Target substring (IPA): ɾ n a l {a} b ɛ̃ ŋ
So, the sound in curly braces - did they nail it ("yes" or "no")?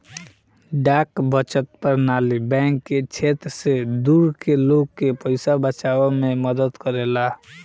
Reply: no